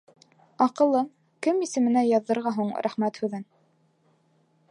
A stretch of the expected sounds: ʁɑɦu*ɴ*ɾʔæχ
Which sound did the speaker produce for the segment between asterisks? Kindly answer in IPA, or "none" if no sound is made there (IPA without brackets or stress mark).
ɴ